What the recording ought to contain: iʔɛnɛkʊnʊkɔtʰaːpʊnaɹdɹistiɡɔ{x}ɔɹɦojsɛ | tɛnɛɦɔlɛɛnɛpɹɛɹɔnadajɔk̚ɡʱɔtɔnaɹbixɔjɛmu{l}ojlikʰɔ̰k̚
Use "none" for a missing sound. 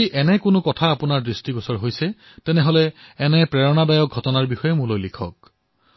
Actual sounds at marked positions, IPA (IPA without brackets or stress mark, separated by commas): s, l